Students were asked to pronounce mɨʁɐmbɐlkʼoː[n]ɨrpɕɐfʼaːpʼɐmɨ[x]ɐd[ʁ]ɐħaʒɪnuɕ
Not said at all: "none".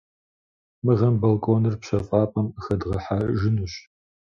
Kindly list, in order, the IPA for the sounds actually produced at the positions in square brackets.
n, x, ʁ

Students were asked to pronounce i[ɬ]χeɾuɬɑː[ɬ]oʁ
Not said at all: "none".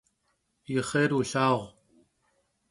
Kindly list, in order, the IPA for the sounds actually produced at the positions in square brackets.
none, none

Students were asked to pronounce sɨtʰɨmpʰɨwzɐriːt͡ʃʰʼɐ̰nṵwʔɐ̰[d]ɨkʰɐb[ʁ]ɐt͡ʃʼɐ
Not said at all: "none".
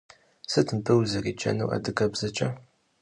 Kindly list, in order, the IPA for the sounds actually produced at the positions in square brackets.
d, z

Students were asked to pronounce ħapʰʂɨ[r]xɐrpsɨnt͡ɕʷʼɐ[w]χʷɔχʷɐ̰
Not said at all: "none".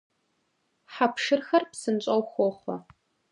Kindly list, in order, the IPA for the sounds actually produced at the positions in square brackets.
r, w

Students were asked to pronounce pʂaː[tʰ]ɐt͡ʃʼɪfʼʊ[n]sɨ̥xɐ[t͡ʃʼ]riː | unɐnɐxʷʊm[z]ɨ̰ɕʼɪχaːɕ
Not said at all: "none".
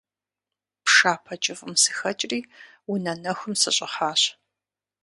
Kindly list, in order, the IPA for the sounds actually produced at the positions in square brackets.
pʰ, m, t͡ʃʼ, s

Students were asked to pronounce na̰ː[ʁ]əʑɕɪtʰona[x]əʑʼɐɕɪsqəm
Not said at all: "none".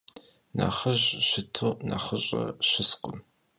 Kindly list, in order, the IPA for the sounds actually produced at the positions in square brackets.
χ, χ

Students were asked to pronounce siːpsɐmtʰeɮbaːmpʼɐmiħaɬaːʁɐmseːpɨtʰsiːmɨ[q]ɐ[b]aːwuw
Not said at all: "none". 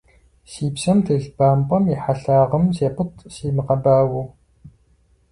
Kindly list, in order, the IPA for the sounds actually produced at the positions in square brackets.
q, b

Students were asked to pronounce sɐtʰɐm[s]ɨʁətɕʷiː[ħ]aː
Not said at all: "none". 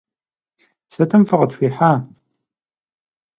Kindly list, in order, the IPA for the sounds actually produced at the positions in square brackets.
f, ħ

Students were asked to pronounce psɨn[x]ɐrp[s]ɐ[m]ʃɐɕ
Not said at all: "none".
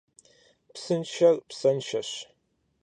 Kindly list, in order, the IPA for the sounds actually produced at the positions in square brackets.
ʃ, s, n

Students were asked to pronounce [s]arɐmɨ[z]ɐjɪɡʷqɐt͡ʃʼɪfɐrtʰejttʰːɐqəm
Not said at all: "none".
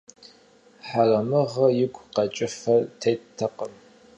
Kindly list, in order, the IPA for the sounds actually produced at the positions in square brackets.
ħ, ʁ

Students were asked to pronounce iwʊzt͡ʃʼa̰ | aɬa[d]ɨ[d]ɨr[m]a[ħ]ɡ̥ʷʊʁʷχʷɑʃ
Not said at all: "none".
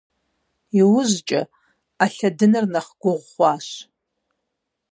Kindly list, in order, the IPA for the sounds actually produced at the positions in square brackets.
d, n, n, χ

